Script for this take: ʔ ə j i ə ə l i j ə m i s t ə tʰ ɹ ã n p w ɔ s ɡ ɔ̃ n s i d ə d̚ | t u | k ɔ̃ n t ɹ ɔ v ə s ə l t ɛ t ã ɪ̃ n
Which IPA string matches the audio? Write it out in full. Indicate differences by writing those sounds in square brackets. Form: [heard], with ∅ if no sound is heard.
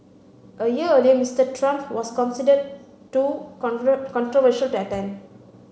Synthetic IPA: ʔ ə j i ə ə l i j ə m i s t ə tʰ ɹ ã [m] p w ɔ s [k] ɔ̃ n s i d ə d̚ | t u | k ɔ̃ n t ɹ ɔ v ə [ʃ] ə l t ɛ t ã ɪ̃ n